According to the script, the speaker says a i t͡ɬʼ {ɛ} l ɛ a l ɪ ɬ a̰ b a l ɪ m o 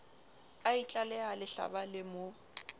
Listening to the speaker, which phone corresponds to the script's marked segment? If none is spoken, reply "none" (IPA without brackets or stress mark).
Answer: a